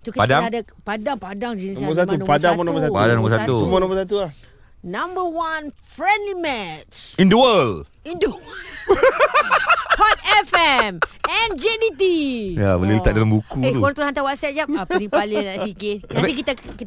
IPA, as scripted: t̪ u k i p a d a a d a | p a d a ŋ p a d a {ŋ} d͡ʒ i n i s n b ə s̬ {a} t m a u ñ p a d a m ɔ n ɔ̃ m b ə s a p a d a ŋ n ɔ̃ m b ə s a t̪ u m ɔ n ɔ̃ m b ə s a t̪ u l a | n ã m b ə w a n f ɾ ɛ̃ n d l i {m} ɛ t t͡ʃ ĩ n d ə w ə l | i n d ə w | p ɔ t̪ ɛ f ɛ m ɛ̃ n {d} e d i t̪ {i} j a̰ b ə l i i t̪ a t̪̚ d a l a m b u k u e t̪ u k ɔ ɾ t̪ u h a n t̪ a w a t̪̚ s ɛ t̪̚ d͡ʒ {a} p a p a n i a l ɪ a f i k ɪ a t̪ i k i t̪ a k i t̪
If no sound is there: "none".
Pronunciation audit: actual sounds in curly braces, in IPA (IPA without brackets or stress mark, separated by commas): ŋ, a, m, d͡ʒ, i, a